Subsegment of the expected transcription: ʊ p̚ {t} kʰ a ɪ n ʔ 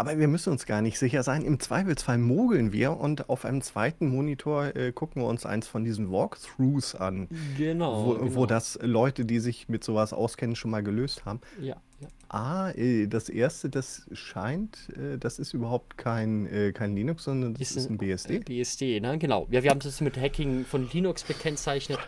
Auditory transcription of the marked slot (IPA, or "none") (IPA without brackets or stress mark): t